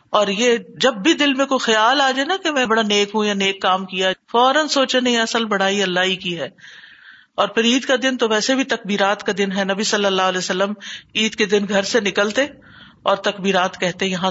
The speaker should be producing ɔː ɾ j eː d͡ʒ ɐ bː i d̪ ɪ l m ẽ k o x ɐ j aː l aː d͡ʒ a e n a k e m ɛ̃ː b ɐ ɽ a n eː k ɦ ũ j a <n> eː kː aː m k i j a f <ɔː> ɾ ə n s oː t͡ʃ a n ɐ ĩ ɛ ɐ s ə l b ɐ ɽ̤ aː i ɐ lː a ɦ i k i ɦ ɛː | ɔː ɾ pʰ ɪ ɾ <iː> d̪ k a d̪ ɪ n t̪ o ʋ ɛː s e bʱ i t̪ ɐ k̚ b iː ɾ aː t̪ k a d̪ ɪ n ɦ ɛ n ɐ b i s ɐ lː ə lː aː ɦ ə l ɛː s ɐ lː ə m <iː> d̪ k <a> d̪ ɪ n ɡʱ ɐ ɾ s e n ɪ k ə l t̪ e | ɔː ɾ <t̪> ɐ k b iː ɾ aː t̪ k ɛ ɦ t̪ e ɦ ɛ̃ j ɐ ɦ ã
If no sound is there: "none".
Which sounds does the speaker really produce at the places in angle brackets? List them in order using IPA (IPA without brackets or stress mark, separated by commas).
n, ɔː, iː, iː, e, t̪